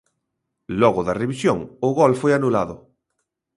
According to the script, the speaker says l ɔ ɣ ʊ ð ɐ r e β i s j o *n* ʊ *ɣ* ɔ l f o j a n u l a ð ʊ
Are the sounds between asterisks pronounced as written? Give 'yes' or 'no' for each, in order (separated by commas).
no, yes